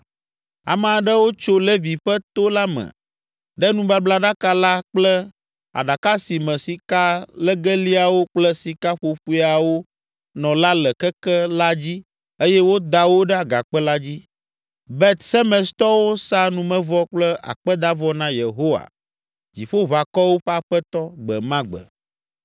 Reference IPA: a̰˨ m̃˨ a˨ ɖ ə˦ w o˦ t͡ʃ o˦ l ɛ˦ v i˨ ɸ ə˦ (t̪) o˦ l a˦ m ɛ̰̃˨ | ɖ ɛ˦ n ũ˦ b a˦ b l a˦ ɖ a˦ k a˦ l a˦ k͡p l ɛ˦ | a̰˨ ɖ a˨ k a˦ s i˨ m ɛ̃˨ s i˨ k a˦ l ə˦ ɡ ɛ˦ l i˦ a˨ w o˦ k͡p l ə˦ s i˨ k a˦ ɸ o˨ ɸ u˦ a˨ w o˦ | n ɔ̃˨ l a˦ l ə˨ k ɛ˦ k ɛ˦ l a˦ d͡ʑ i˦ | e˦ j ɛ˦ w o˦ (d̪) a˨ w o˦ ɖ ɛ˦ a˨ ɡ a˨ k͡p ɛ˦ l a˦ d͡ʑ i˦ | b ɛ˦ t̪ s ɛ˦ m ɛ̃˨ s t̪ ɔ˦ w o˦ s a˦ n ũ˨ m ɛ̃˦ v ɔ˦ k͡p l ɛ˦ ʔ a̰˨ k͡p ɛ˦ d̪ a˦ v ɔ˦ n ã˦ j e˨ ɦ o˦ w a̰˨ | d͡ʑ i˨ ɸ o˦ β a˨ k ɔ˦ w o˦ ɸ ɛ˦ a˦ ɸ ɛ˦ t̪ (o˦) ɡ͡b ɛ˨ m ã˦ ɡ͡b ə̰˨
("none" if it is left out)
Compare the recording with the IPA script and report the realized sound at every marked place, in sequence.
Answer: t̪, d̪, ɔ˦

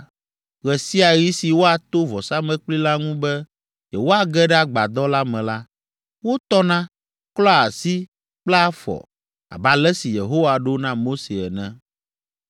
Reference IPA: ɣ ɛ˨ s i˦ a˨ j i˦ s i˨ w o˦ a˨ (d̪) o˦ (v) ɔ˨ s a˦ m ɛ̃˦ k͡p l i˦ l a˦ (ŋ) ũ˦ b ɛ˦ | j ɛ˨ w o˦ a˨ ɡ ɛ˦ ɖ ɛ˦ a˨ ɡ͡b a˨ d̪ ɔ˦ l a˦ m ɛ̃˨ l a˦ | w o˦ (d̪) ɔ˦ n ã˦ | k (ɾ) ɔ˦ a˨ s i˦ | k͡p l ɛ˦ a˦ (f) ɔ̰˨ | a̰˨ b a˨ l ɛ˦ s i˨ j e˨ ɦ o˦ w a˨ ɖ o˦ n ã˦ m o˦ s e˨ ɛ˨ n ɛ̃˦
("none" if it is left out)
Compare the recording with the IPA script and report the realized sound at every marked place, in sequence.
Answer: t̪, v, ŋ, t̪, l, f

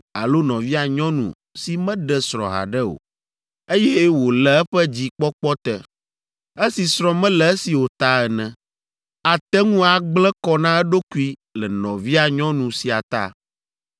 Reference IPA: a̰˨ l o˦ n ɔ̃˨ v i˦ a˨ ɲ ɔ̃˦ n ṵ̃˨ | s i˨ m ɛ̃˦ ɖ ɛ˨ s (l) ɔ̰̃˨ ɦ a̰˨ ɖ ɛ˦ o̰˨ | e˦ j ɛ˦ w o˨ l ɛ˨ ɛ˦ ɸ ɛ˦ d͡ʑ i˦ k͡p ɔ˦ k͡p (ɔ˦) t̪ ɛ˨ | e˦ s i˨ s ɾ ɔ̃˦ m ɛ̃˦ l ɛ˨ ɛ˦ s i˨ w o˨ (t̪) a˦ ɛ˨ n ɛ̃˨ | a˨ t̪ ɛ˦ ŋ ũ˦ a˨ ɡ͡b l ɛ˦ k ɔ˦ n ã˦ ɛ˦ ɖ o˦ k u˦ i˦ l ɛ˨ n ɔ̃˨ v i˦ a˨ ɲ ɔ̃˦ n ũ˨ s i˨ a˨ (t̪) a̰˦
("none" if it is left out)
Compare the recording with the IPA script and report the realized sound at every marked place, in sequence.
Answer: ɾ, ɔ˦, t̪, t̪

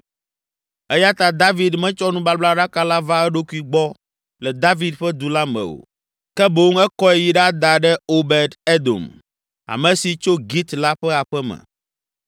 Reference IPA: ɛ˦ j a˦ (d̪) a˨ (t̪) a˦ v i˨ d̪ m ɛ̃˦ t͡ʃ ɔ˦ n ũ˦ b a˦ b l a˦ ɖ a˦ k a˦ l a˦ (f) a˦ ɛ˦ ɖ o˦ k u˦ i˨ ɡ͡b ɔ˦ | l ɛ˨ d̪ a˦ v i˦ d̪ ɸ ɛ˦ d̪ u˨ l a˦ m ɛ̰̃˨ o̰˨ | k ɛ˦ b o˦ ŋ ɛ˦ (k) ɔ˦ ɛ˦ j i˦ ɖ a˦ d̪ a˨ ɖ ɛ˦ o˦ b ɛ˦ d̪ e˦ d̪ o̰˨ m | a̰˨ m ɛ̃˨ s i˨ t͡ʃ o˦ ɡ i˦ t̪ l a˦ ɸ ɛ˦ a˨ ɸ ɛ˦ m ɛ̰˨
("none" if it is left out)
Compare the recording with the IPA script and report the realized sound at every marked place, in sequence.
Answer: t̪, d̪, v, k

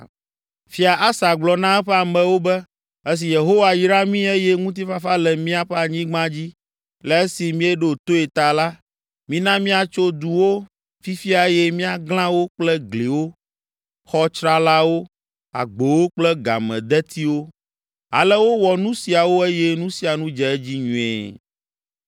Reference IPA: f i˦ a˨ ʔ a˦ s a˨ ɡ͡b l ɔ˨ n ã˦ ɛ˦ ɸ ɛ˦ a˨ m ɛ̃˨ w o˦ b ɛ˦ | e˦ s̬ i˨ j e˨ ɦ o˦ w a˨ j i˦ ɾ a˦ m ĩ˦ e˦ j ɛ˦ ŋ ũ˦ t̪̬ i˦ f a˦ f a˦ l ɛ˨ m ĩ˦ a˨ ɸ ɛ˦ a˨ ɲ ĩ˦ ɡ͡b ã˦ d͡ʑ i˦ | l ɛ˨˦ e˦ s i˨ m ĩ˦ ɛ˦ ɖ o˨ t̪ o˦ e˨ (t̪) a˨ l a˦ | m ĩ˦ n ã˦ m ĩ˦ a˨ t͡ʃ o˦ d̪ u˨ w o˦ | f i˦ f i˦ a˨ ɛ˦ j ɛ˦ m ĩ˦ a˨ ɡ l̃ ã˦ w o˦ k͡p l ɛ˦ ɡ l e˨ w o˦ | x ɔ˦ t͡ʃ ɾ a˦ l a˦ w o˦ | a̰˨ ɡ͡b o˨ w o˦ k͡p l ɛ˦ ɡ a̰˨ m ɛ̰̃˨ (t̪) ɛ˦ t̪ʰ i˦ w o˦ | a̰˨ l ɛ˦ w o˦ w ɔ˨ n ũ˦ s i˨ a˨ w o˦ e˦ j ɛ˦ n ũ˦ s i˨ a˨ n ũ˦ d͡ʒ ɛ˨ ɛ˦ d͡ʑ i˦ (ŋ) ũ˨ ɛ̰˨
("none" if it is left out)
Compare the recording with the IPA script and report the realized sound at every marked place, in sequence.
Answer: t̪, d̪, ɲ

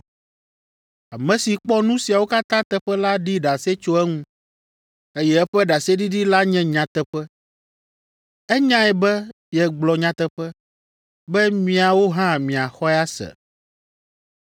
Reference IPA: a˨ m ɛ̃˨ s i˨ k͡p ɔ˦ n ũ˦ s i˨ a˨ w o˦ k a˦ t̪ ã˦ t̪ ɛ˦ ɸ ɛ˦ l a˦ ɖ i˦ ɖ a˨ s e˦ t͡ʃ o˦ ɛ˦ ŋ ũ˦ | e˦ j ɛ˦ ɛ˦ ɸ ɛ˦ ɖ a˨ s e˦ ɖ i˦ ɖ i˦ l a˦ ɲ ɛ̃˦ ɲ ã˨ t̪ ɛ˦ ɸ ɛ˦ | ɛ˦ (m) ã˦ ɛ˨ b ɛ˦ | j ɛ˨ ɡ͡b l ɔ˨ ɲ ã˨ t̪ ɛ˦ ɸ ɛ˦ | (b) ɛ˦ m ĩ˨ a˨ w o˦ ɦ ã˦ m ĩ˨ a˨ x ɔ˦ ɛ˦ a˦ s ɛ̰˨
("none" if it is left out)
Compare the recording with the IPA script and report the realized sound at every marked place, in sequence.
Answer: ɲ, b

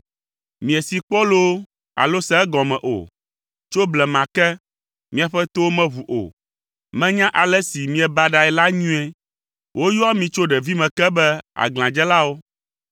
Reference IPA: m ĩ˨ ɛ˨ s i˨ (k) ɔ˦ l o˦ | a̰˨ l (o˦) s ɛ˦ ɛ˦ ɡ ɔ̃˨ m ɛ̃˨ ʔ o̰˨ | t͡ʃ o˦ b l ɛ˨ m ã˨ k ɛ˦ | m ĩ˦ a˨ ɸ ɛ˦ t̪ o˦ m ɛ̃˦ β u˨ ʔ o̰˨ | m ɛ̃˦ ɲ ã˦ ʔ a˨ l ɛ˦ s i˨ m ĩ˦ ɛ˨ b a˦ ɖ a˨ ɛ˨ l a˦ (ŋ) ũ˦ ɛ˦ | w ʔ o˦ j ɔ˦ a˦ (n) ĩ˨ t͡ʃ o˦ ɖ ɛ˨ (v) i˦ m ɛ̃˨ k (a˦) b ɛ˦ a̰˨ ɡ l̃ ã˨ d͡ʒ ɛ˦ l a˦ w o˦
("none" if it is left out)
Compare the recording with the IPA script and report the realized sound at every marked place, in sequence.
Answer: k͡p, o˦, ɲ, m, v, ɛ˦

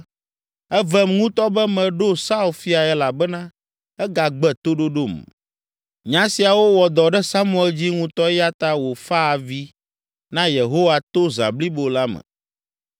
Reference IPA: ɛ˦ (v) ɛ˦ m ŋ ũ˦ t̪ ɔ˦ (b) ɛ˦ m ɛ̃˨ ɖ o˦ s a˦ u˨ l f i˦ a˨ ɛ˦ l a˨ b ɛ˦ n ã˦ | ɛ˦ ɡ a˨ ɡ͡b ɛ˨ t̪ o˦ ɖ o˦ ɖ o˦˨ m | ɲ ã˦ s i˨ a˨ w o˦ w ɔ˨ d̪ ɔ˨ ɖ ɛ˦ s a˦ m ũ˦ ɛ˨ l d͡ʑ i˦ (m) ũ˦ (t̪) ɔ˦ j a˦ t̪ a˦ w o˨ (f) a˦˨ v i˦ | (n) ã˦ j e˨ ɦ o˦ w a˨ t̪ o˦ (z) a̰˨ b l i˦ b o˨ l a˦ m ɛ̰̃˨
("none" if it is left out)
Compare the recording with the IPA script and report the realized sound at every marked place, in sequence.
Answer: v, b, ŋ, t̪, f, n, z

